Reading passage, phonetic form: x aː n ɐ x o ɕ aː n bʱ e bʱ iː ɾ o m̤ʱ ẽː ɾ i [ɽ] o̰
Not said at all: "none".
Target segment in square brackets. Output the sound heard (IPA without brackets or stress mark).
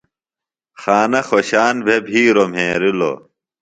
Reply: l